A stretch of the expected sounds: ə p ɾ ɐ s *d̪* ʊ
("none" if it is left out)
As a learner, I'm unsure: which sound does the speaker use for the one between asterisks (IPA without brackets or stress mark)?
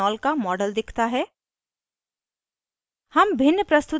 t̪